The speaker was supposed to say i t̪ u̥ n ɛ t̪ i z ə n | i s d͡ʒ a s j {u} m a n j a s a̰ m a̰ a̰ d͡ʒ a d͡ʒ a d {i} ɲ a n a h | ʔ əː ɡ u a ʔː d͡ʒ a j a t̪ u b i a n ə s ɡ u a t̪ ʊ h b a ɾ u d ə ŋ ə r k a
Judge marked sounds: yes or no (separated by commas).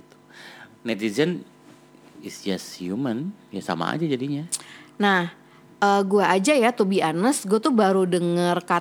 yes, yes